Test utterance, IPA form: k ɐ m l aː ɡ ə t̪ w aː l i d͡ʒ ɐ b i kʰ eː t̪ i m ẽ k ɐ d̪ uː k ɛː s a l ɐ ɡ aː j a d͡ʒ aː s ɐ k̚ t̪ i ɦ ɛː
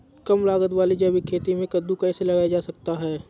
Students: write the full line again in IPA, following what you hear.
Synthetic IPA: k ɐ m l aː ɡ ə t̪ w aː l i d͡ʒ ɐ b i kʰ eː t̪ i m ẽ k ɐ d̪ u k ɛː s e l ɐ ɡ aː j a d͡ʒ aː s ɐ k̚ t̪ a ɦ ɛː

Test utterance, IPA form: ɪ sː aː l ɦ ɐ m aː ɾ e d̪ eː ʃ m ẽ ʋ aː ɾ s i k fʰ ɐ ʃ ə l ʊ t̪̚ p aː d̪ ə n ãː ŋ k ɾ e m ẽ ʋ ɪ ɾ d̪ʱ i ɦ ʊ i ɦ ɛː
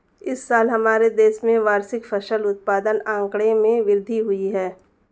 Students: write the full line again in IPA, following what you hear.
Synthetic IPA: ɪ sː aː l ɦ ɐ m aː ɾ e d̪ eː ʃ m ẽ ʋ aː ɾ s ɪ k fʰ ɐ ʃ ə l ʊ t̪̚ p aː d̪ ə n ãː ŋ k ɽ e m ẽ ʋ ɪ ɾ d̪ʱ i ɦ ʊ i ɦ ɛː

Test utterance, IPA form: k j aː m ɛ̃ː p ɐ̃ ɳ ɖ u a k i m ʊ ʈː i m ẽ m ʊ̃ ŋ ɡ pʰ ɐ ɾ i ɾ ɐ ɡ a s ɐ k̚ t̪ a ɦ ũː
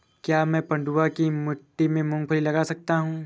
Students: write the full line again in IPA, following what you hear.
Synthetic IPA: k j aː m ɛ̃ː p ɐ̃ ɳ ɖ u a k i m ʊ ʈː i m ẽ m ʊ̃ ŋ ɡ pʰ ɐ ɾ i l ɐ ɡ a s ɐ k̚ t̪ a ɦ ũː

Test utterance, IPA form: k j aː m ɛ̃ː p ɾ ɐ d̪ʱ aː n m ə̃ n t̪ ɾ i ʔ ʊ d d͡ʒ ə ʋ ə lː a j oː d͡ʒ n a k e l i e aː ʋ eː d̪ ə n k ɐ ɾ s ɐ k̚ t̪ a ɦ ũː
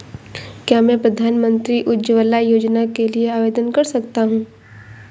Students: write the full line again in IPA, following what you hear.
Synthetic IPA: k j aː m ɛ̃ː p ɾ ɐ d̪ʱ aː n m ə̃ n t̪ ɾ i ʔ ʊ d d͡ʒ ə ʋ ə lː a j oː d͡ʒ n a k e l i e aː ʋ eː d̪ ə n k ɐ ɾ s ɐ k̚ t̪ a ɦ ũː

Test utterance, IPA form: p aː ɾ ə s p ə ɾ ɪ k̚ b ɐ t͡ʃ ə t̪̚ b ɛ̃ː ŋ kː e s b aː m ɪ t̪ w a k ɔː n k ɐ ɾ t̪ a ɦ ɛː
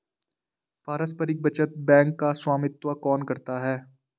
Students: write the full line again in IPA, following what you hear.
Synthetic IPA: p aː ɾ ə s p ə ɾ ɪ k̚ b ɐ t͡ʃ ə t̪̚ b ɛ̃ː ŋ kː a s w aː m ɪ t̪ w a k ɔː n k ɐ ɾ t̪ a ɦ ɛː

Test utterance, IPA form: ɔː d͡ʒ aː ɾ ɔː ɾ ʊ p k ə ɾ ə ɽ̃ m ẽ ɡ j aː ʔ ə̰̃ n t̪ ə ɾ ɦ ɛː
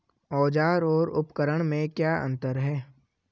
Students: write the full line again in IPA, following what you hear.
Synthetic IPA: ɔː d͡ʒ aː ɾ ɔː ɾ ʊ p k ə ɾ ə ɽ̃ m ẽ k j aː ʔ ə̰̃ n t̪ ə ɾ ɦ ɛː

